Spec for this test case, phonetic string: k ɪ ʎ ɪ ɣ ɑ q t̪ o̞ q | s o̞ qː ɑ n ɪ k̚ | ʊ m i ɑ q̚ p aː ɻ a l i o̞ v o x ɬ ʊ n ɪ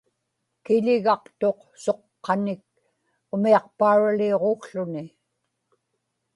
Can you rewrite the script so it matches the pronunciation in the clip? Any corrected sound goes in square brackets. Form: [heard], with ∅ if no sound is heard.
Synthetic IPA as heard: k ɪ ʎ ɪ ɣ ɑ q t̪ o̞ q | s o̞ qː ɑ n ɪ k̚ | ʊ m i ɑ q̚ p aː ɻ a l i o̞ [ʁ] o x ɬ ʊ n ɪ